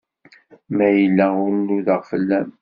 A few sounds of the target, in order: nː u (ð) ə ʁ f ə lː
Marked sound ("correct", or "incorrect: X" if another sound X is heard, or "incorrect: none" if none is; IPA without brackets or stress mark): correct